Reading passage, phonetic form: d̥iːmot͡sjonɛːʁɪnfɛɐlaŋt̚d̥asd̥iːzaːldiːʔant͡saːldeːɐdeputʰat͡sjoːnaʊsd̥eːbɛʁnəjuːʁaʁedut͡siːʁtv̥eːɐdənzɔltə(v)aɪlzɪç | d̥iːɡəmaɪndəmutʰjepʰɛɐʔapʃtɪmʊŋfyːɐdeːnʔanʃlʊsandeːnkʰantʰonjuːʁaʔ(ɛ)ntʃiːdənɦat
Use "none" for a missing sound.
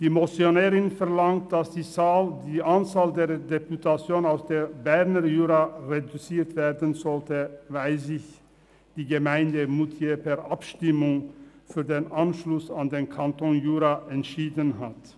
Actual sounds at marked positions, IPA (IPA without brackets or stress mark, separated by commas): v, ɛ